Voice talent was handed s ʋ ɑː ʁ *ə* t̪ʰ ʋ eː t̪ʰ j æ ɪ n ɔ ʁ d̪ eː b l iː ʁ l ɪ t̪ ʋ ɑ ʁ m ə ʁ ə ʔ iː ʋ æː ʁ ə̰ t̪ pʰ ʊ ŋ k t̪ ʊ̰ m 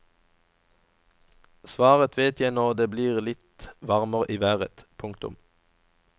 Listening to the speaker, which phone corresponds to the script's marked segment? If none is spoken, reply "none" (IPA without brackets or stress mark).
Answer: ə